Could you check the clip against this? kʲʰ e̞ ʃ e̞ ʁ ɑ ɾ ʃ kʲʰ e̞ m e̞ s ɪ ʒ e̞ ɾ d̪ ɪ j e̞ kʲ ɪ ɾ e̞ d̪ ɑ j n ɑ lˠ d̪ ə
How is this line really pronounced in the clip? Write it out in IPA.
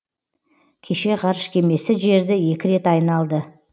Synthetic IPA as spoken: kʲʰ e̞ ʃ e̞ ʁ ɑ ɾ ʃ kʲʰ e̞ m e̞ s ɪ ʒ e̞ ɾ d̪ ɪ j e̞ kʲ ɪ ɾ e̞ t̪ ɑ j n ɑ lˠ d̪ ə